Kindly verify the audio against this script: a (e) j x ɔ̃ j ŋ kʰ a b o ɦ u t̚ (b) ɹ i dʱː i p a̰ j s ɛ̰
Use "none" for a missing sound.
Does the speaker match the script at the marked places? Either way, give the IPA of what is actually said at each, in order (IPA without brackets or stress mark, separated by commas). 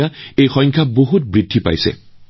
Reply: e, b